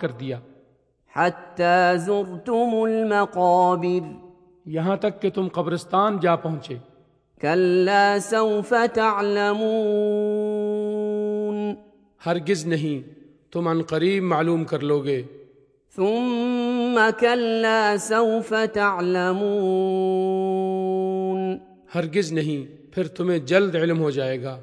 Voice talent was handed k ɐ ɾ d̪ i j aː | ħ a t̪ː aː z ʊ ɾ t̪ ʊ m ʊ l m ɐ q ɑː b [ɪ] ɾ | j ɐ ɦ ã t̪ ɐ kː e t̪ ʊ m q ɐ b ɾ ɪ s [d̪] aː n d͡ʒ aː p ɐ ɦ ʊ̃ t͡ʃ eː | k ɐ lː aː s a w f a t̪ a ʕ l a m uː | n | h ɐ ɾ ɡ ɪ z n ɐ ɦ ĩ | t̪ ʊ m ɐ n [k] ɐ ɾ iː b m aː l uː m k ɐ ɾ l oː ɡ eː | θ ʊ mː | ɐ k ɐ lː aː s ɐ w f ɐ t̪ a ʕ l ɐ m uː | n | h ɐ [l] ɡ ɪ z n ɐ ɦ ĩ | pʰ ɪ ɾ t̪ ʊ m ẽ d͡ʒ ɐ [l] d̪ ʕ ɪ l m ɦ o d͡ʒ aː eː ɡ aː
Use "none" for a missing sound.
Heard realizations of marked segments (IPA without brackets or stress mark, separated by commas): ɪ, t̪, q, ɾ, l